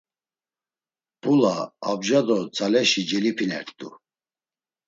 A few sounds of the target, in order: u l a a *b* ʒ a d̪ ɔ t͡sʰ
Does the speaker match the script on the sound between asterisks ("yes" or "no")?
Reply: yes